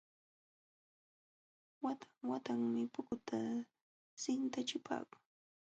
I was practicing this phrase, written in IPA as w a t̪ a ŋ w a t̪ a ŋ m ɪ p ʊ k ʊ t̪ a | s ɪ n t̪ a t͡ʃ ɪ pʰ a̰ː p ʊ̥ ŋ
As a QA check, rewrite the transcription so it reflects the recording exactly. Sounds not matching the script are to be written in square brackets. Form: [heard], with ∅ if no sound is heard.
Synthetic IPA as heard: w a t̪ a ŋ w a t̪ a ŋ m ɪ p ʊ k ʊ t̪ a | s ɪ n t̪ a t͡ʃ ɪ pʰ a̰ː [k] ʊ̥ ŋ